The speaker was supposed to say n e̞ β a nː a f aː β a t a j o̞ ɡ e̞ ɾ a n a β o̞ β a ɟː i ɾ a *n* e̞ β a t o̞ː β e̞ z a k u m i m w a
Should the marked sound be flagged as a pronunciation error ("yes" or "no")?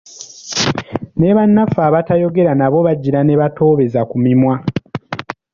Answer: no